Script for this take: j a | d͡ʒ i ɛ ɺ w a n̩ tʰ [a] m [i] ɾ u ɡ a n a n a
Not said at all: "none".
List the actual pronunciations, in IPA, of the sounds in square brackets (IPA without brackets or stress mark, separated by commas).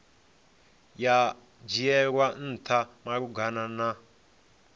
a, a